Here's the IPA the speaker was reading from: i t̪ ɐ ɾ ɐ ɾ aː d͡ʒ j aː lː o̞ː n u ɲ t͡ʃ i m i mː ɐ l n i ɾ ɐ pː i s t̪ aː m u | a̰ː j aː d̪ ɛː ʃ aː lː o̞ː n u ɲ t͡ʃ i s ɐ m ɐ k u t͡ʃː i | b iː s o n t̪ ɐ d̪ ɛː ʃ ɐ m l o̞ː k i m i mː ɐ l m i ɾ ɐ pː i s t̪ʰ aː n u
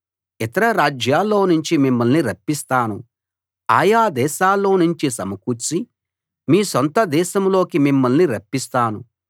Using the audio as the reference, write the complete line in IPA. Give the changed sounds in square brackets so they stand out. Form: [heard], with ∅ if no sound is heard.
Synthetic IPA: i t̪ ɐ ɾ ɐ ɾ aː d͡ʒ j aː lː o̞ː n u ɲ t͡ʃ i m i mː ɐ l n i ɾ ɐ pː i s t̪ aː [n] u | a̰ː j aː d̪ ɛː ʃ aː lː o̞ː n u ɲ t͡ʃ i s ɐ m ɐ k u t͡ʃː i | [m] iː s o n t̪ ɐ d̪ ɛː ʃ ɐ m l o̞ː k i m i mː ɐ l [n] i ɾ ɐ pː i s [t̪] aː n u